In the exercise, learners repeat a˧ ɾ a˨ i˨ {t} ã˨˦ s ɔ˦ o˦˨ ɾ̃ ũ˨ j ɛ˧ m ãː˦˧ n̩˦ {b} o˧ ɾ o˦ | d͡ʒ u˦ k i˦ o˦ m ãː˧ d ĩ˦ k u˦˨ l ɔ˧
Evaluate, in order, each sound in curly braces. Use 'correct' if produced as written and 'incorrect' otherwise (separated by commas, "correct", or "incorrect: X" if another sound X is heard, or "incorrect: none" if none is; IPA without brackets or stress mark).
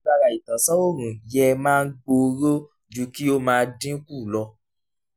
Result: correct, incorrect: ɡ͡b